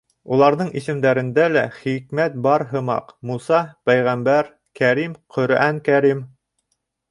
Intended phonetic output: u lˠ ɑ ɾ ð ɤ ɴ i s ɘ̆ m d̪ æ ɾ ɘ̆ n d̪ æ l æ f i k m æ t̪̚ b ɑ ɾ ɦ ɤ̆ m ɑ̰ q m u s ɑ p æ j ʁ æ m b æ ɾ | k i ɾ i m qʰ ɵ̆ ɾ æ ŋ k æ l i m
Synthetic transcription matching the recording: u lˠ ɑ ɾ ð ɤ ɴ i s ɘ̆ m d̪ æ ɾ ɘ̆ n d̪ æ l æ χ i k m æ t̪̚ b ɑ ɾ ɦ ɤ̆ m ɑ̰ q m u s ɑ p æ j ʁ æ m b æ ɾ | k æ ɾ i m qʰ ɵ̆ ɾ æ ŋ k æ ɾ i m